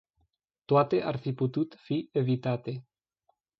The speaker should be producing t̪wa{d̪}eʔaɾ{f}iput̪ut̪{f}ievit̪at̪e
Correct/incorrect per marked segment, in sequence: incorrect, correct, correct

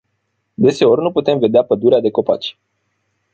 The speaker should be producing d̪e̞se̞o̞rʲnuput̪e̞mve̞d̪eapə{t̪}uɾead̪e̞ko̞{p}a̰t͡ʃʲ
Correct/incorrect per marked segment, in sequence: incorrect, correct

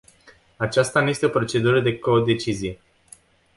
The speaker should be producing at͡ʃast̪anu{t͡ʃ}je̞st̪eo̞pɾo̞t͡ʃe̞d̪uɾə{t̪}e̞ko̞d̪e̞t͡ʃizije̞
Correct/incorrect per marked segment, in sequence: incorrect, incorrect

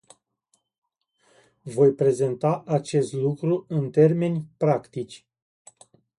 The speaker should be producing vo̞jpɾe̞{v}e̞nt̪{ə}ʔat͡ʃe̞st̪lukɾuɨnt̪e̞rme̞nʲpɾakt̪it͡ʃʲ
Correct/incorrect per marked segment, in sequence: incorrect, incorrect

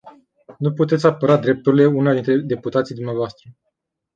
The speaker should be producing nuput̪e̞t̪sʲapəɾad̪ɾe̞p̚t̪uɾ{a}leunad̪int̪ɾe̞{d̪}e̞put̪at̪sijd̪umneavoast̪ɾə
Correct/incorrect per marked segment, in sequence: incorrect, correct

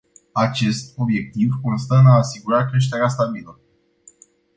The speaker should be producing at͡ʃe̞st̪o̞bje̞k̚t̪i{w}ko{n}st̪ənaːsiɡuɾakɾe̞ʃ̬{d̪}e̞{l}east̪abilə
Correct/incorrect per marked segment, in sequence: incorrect, correct, incorrect, incorrect

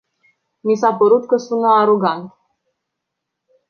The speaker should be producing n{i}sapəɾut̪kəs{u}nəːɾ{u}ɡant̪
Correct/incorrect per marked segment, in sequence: correct, correct, incorrect

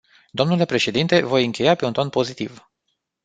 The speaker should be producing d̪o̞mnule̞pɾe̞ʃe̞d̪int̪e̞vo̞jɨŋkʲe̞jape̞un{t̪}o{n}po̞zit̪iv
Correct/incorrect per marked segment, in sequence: correct, correct

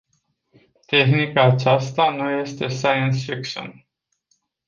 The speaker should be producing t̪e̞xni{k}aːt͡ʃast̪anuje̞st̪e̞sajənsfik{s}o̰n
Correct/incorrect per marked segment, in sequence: correct, incorrect

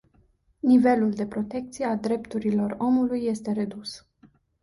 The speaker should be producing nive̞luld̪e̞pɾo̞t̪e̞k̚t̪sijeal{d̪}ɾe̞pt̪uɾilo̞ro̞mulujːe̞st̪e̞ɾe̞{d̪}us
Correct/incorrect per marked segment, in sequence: correct, correct

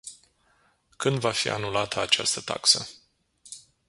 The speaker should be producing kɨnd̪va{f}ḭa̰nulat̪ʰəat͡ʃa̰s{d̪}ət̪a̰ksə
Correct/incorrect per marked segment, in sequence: correct, incorrect

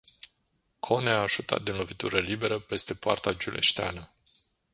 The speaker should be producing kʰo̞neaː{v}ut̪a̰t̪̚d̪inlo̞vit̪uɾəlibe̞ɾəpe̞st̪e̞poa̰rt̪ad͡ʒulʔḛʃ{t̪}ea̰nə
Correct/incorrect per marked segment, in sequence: incorrect, correct

